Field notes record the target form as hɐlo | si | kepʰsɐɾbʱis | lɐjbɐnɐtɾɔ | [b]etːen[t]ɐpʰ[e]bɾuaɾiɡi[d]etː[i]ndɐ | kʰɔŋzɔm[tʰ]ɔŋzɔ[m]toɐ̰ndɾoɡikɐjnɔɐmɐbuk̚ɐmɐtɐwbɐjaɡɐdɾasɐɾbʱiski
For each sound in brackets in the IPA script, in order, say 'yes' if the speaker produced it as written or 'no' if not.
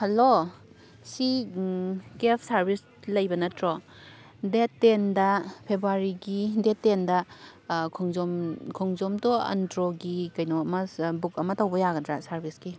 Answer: no, no, yes, yes, no, no, yes

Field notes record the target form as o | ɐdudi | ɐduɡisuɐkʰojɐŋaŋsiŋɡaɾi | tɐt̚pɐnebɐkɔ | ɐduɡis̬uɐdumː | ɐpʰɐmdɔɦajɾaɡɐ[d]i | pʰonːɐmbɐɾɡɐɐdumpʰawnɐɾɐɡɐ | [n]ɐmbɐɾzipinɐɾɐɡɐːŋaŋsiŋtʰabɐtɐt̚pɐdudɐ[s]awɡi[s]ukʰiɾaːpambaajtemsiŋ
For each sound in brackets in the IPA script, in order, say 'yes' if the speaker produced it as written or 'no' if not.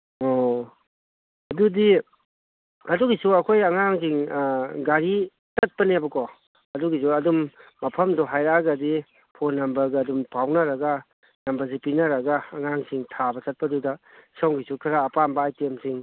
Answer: yes, yes, yes, yes

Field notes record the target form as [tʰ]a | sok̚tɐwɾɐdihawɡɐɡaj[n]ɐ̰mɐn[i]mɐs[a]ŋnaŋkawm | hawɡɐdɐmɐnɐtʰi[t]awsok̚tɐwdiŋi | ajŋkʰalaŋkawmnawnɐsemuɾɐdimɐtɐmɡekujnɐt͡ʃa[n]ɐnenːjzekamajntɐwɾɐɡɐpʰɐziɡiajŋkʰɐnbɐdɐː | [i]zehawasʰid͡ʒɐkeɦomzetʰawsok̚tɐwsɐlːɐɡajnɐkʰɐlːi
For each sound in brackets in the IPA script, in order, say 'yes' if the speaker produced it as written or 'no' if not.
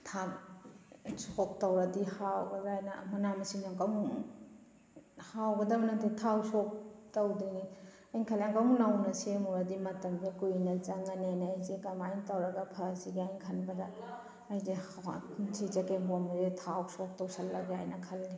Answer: yes, yes, no, no, no, no, no

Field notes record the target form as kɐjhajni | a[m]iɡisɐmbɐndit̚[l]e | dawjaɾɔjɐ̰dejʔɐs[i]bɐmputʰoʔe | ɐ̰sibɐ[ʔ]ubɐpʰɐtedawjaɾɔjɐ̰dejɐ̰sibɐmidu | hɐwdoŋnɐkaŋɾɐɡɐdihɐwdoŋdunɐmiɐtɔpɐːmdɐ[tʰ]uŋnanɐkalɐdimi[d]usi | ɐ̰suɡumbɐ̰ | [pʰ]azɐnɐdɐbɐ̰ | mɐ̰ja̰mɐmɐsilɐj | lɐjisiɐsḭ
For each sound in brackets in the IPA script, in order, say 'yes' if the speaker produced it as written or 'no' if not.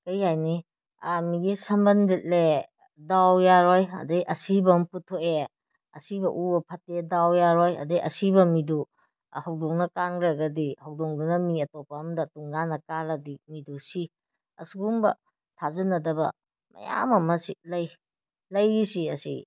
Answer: yes, yes, yes, yes, no, yes, no

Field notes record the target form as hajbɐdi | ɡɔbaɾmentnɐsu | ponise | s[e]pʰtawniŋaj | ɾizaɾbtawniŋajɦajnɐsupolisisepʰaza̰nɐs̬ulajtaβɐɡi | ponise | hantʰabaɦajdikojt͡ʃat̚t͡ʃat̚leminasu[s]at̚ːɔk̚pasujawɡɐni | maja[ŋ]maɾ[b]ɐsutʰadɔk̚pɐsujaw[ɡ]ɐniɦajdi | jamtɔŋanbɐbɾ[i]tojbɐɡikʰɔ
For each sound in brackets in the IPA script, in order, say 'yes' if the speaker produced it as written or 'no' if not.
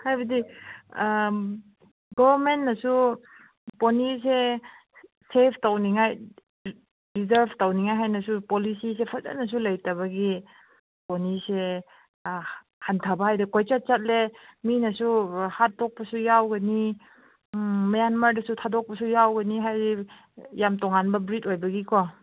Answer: yes, no, no, no, yes, yes

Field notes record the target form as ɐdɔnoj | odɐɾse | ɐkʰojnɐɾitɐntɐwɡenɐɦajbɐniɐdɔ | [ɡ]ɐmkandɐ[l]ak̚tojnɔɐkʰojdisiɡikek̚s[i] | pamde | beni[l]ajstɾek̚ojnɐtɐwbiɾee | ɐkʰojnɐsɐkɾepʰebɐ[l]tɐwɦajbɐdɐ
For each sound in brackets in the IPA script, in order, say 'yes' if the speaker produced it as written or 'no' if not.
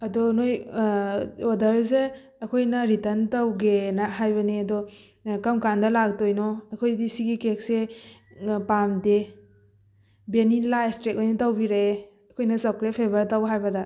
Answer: no, yes, no, yes, no

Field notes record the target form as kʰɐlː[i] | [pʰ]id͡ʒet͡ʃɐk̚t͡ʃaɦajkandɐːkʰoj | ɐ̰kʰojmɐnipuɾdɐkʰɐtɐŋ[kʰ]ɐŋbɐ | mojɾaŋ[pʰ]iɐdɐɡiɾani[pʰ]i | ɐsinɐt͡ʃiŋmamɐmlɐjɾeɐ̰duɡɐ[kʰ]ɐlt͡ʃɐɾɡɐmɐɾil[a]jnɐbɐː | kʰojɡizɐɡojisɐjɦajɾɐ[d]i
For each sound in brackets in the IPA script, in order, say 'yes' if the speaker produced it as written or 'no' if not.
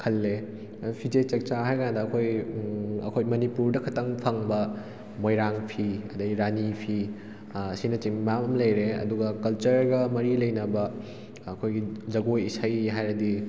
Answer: no, yes, no, yes, yes, no, no, yes

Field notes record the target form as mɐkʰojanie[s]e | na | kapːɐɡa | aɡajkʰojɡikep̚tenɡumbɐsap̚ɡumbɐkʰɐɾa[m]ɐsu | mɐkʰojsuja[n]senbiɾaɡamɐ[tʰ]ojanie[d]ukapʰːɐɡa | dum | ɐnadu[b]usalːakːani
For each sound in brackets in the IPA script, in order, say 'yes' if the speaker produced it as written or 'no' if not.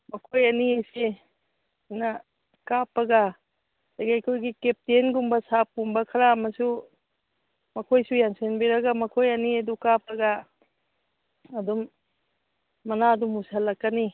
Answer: yes, yes, yes, no, yes, no

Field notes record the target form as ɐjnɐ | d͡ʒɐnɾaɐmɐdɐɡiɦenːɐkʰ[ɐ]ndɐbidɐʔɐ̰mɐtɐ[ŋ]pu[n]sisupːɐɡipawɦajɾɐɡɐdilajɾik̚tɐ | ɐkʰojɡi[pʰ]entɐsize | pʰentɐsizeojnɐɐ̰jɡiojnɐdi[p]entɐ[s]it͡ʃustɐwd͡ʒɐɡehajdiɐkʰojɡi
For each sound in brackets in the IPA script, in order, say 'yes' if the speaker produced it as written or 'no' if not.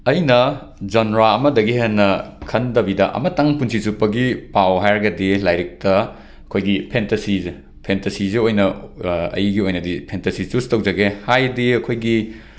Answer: yes, yes, yes, yes, no, yes

